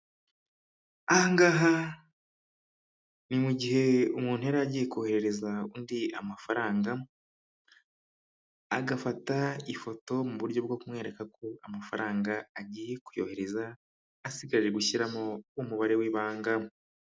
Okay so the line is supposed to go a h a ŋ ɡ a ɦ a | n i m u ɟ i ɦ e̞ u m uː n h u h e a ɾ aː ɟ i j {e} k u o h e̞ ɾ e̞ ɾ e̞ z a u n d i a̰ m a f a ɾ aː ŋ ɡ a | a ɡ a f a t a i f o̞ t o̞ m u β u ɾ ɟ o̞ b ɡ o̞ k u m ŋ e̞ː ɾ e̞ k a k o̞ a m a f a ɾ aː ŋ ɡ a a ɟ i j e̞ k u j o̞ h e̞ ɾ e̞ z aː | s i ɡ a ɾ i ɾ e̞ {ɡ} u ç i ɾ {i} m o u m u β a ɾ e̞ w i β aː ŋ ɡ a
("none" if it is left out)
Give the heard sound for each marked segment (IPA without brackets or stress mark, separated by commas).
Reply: e, ɡ, a